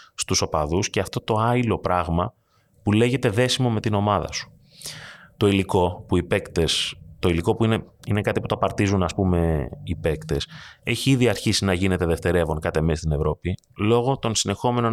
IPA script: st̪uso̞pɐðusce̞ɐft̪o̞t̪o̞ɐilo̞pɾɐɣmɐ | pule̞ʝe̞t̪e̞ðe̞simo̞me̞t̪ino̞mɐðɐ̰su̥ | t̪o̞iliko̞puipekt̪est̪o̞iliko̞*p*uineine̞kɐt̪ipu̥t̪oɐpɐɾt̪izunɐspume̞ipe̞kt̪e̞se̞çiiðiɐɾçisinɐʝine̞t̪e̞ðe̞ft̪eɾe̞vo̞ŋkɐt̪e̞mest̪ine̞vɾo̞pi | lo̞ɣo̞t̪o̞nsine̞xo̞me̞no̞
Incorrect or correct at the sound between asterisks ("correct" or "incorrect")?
correct